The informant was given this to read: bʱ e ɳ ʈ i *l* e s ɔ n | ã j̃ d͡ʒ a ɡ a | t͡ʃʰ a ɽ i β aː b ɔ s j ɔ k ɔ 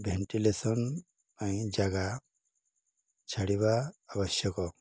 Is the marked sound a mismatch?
no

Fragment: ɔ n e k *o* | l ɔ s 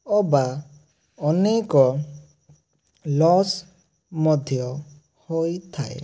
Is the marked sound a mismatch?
yes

